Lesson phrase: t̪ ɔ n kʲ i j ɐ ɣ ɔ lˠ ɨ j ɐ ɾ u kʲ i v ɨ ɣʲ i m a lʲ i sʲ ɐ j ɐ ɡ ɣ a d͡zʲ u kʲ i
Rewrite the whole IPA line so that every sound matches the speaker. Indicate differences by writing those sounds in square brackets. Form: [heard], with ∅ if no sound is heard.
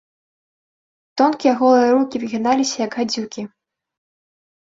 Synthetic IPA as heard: t̪ ɔ n kʲ i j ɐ ɣ ɔ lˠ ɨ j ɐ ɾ u kʲ i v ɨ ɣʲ i [n] a lʲ i sʲ ɐ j ɐ ɡ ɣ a d͡zʲ u kʲ i